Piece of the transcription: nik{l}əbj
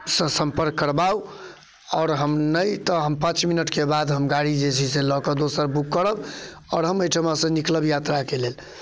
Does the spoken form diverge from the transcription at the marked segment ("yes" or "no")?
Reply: no